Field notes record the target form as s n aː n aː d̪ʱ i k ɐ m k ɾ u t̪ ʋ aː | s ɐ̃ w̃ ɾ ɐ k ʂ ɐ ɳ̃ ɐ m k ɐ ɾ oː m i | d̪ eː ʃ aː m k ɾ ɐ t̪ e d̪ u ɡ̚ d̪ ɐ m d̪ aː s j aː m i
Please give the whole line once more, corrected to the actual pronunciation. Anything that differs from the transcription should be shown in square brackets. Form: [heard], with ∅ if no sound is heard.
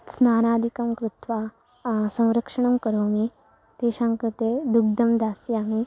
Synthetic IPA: s n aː n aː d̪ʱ i k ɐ m k ɾ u t̪ ʋ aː | s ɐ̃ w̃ ɾ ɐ k ʂ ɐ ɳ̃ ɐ m k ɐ ɾ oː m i | [t̪] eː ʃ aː [ŋ] k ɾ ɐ t̪ e d̪ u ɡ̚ d̪ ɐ m d̪ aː s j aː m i